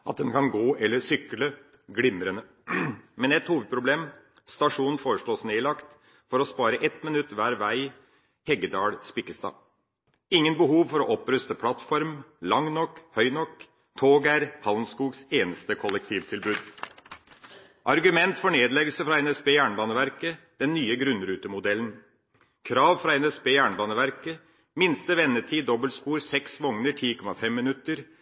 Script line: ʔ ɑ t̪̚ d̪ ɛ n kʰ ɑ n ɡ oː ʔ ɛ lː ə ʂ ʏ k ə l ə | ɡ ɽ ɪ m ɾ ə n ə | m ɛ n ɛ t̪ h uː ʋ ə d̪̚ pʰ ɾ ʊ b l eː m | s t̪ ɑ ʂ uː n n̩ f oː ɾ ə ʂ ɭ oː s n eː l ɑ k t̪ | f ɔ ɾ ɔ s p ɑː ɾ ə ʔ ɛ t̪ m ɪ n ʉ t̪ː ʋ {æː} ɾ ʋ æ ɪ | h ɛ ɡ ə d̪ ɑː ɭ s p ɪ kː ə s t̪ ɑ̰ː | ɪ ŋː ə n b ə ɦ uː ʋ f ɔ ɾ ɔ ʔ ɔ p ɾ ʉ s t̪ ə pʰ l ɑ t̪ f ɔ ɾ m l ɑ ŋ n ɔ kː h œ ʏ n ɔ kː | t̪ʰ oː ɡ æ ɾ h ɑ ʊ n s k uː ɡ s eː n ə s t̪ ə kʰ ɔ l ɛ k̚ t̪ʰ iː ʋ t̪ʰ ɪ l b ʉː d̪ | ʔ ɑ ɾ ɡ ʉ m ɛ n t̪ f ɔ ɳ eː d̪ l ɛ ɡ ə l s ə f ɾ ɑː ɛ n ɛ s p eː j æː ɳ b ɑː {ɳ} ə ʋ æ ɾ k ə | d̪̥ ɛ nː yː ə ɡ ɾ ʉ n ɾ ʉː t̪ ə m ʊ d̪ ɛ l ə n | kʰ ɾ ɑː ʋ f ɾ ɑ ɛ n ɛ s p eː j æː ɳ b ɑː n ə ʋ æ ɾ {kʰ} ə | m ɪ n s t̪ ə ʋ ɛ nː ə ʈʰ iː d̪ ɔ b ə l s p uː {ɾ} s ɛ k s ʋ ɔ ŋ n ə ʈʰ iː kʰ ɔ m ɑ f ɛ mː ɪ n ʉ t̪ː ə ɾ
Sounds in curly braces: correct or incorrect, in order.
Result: correct, incorrect, incorrect, correct

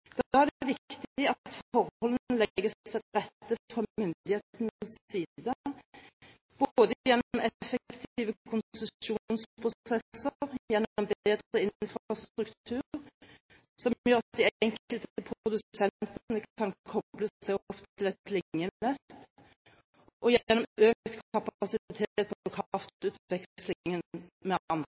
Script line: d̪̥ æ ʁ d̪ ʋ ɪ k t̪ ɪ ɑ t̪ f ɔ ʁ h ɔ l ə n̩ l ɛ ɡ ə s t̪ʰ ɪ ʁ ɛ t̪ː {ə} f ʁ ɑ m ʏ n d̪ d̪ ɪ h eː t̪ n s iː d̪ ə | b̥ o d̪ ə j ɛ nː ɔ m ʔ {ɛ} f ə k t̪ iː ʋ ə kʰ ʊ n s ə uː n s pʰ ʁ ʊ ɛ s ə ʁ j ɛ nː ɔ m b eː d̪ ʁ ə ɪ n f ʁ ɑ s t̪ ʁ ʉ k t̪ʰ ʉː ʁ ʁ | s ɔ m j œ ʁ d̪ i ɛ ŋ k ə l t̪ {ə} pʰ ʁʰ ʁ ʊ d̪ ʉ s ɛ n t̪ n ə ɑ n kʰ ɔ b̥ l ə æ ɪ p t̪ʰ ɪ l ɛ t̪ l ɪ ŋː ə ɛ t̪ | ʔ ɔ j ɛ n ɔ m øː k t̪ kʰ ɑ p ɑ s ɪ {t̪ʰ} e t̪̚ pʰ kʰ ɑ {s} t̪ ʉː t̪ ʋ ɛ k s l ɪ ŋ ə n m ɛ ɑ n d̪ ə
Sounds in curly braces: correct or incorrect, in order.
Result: correct, correct, correct, correct, incorrect

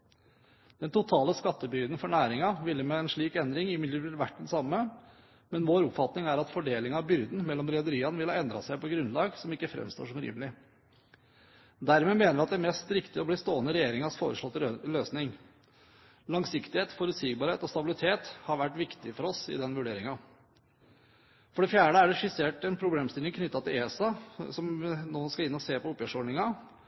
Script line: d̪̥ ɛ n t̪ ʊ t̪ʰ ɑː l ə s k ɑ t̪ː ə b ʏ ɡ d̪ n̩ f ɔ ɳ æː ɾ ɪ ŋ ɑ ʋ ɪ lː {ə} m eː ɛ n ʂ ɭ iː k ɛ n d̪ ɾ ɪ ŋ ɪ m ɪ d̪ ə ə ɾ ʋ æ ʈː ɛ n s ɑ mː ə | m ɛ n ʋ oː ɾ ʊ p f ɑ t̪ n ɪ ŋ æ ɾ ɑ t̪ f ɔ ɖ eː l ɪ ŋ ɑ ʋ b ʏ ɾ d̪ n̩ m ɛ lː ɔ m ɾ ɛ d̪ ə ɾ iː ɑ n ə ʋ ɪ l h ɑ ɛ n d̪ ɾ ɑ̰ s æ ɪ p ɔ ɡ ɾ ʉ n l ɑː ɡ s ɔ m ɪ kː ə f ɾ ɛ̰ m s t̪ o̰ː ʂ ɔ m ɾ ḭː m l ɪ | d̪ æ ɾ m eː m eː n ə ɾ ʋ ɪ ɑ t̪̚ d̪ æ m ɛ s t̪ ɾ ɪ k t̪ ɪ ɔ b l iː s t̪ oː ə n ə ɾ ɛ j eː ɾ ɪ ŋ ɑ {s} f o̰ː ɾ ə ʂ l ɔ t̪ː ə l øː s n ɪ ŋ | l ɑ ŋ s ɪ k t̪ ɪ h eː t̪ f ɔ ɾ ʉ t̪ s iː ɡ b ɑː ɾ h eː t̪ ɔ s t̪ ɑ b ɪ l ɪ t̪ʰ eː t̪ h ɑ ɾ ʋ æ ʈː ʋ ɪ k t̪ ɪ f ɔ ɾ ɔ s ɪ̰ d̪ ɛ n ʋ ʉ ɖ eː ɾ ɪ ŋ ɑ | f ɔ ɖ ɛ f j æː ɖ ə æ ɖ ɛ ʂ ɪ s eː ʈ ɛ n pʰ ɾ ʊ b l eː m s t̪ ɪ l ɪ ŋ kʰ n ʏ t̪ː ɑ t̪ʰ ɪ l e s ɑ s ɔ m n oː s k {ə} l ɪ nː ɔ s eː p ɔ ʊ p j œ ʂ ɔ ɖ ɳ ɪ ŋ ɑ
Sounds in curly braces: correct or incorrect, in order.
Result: correct, correct, incorrect

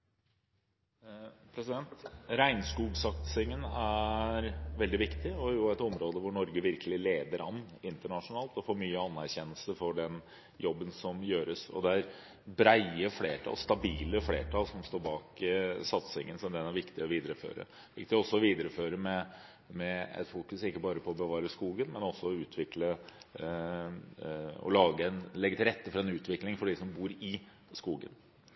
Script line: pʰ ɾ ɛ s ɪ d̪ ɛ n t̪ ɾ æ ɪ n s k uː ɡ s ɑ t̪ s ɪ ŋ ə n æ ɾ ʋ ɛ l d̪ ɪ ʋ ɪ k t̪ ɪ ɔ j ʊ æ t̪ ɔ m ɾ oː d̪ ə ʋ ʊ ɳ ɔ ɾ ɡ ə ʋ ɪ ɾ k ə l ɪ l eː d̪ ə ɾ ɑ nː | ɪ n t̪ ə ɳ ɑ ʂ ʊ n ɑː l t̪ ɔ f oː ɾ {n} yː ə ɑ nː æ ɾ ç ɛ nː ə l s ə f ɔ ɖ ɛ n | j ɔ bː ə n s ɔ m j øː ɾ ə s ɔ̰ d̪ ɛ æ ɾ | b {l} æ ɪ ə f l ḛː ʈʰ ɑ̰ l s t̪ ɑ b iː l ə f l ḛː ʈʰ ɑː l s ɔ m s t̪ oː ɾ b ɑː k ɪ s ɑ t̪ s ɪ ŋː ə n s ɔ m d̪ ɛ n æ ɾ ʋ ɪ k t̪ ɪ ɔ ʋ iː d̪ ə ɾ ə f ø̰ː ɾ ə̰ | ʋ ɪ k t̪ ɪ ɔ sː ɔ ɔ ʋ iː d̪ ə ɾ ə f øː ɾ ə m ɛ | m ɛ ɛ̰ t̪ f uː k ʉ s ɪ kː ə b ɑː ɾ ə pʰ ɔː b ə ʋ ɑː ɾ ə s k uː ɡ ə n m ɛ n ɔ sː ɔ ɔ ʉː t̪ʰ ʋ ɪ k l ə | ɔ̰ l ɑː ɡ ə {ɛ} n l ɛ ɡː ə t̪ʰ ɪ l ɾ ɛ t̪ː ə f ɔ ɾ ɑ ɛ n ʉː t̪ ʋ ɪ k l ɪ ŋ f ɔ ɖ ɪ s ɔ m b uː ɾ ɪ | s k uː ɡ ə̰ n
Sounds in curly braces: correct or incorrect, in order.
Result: incorrect, incorrect, correct

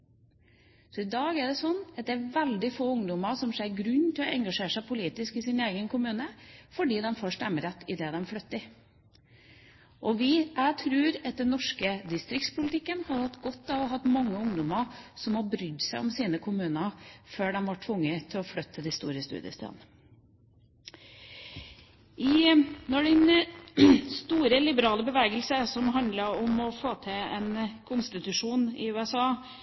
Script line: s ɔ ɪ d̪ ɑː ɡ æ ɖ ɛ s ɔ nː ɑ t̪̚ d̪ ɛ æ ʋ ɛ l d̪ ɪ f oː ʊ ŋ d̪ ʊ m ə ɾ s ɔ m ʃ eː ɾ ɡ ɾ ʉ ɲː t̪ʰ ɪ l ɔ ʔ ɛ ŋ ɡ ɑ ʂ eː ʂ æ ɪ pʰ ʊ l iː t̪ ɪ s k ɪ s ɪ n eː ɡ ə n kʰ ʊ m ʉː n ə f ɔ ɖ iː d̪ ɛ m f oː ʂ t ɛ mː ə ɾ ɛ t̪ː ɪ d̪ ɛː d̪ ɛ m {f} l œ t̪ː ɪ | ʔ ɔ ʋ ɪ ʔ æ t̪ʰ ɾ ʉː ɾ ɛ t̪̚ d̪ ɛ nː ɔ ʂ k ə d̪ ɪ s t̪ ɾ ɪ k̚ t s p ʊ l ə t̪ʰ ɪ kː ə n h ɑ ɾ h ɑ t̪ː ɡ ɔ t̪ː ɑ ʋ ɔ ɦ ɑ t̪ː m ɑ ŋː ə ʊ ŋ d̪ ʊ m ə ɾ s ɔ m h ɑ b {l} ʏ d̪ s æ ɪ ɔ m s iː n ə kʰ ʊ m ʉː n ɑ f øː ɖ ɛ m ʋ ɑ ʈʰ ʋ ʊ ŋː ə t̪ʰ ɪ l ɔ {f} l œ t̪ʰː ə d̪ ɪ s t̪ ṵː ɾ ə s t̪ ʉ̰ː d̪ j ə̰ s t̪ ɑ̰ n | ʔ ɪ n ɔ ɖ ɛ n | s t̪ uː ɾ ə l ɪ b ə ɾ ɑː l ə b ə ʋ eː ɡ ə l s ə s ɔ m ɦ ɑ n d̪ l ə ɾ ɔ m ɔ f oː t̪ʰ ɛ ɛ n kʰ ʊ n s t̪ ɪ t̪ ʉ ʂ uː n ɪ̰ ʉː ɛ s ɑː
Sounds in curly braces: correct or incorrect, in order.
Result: correct, incorrect, correct

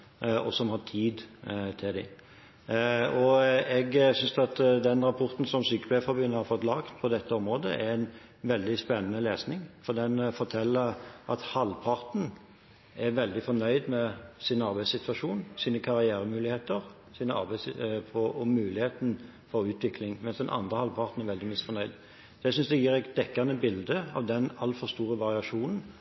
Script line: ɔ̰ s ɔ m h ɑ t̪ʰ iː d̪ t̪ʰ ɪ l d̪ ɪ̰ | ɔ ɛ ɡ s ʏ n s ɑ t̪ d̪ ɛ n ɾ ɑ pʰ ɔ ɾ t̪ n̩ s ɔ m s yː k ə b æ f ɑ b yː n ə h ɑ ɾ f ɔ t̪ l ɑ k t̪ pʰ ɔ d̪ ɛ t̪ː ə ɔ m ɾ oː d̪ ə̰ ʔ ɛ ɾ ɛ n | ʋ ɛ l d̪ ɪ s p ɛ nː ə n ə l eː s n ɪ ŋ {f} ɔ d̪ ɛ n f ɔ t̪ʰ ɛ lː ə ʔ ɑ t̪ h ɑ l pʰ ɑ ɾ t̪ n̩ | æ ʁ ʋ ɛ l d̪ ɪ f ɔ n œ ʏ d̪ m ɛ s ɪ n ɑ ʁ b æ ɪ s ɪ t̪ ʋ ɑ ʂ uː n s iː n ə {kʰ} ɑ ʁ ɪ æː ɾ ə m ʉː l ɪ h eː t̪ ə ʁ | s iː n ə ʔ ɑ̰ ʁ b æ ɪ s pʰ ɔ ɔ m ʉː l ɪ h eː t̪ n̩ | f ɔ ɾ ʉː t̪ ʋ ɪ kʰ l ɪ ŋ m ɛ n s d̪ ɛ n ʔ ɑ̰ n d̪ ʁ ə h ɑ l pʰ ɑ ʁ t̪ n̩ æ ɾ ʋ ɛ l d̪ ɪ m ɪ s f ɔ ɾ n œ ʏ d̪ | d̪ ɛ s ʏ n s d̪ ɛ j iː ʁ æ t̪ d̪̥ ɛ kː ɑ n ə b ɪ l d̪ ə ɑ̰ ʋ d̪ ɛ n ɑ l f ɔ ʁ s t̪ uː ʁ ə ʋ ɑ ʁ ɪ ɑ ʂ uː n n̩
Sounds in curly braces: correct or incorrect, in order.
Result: correct, correct

